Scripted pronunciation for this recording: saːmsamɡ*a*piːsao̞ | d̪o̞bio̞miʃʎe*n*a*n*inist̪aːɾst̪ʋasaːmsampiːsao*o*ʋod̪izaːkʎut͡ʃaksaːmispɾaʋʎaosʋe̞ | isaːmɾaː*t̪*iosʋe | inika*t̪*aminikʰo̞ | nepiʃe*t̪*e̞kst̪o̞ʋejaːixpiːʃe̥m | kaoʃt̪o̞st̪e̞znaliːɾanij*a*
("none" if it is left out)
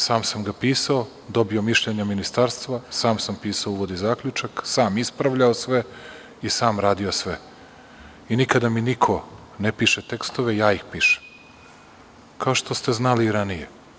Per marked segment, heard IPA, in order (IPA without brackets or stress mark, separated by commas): a, ɲ, m, u, d̪, d̪, t̪, e